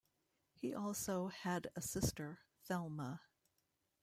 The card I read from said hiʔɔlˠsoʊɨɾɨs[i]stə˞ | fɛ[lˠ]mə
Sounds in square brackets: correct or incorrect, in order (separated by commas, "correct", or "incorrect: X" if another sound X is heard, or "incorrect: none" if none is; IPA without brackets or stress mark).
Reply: incorrect: ɪ, correct